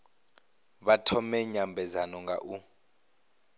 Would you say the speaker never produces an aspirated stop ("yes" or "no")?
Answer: no